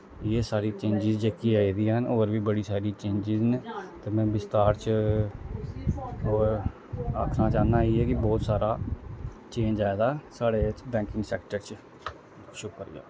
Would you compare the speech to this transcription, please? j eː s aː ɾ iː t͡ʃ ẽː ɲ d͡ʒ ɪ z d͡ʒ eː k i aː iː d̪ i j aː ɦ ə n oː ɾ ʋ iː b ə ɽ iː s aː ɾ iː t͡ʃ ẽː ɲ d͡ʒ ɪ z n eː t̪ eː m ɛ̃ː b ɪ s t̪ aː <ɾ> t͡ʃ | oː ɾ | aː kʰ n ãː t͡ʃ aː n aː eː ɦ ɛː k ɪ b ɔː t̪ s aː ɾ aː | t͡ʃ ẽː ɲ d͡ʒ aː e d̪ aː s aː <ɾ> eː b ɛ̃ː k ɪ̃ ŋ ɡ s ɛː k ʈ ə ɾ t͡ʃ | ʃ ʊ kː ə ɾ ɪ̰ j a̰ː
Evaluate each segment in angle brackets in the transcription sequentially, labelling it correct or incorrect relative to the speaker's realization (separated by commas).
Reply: correct, incorrect